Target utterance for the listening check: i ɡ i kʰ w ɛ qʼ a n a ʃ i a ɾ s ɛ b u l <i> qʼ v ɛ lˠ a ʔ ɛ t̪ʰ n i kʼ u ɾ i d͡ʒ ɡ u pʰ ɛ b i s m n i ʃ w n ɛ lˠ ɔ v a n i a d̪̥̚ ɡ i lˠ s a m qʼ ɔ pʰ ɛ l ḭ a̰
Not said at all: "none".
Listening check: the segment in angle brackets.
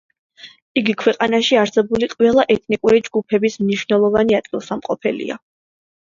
i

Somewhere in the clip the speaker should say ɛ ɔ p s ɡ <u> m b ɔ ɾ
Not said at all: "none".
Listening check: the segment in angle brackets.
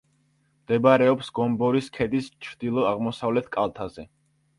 ɔ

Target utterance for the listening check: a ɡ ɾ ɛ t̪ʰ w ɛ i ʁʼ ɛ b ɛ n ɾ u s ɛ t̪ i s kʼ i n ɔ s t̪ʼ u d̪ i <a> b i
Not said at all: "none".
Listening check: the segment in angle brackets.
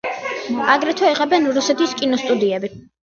ɛ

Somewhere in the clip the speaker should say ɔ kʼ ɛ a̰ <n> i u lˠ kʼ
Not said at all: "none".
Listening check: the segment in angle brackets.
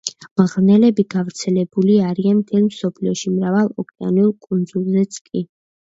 n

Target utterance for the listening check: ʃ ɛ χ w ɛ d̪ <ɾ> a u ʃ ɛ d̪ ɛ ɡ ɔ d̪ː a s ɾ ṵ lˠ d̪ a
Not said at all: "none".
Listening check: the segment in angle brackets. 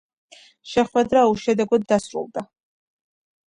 ɾ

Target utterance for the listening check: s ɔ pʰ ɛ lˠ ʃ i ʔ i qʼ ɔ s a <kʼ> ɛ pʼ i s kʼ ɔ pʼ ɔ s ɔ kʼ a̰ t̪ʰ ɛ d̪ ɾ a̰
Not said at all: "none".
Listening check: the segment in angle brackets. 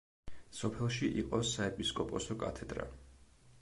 none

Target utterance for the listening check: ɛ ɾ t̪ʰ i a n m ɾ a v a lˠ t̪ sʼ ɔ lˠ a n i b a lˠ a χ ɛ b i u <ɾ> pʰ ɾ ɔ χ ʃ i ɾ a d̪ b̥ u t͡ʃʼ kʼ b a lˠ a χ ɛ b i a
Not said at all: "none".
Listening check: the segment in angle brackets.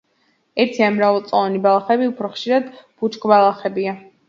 none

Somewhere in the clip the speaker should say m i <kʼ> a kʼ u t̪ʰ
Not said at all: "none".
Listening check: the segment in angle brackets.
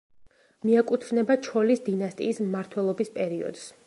none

